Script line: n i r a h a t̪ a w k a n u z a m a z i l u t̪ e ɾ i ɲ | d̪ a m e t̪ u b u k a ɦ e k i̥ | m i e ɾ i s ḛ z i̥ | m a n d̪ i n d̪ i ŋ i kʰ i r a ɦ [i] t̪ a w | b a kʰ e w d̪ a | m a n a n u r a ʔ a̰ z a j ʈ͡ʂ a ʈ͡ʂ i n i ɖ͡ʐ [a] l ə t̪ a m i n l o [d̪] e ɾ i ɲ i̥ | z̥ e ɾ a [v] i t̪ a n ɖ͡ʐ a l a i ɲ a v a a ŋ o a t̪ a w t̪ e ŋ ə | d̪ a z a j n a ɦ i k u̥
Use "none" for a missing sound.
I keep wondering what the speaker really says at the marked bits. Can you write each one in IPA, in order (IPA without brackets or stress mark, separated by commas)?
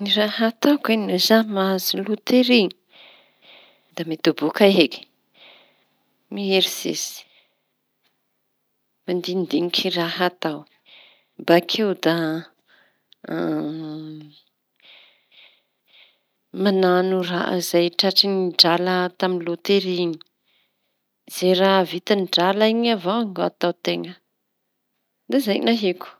a, a, t̪, v